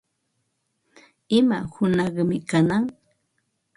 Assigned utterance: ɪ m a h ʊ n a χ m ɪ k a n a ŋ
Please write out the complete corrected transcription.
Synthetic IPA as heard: ɪ m a h ʊ n ɑ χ m ɪ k a n a ŋ